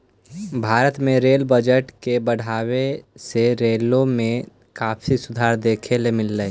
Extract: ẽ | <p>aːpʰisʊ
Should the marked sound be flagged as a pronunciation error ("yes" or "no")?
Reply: yes